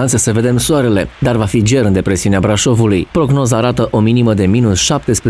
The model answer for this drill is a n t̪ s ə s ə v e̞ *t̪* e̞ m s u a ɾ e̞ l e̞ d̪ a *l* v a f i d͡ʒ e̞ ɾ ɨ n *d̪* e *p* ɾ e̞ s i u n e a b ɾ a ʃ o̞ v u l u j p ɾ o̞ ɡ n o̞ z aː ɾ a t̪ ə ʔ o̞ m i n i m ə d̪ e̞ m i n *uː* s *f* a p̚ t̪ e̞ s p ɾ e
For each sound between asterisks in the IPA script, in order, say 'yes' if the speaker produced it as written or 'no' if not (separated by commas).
no, no, yes, yes, no, no